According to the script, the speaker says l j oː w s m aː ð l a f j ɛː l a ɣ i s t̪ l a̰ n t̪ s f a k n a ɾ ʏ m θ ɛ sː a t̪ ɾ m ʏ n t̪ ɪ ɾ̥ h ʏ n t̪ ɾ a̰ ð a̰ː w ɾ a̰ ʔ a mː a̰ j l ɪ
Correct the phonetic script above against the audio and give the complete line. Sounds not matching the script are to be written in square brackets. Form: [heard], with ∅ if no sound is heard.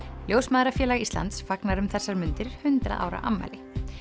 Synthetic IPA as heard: l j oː w s m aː ð [ɾ] a f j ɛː l a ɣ i s t̪ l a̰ n t̪ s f a k n a ɾ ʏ m θ ɛ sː a [∅] ɾ m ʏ n t̪ ɪ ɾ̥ h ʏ n t̪ ɾ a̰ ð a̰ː w ɾ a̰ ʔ a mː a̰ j l ɪ